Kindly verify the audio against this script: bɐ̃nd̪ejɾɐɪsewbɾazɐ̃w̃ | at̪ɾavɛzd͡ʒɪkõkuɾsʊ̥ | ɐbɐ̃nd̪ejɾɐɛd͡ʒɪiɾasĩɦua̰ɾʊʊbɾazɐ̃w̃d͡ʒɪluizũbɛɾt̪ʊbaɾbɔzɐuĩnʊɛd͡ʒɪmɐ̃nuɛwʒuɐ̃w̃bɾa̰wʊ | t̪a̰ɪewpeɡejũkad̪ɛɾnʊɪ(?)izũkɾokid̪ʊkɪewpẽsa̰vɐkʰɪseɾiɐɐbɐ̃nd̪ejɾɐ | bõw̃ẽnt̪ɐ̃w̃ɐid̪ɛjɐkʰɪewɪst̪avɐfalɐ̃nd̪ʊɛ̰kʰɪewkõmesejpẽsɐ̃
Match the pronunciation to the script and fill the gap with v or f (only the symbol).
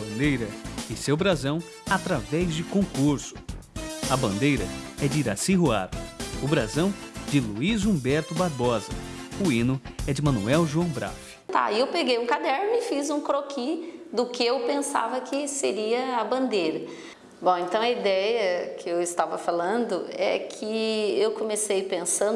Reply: f